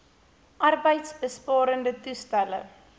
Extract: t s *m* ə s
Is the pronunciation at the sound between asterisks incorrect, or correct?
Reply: incorrect